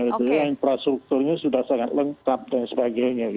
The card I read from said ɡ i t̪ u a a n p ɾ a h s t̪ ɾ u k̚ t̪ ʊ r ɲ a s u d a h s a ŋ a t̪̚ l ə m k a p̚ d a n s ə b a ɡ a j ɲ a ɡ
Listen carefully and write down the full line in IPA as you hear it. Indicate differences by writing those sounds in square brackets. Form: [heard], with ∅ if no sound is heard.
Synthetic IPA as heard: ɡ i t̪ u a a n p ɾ a [∅] s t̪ ɾ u k̚ t̪ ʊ r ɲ a s u d a h s a ŋ a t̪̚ l ə [ŋ] k a p̚ d a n s ə b a ɡ a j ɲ a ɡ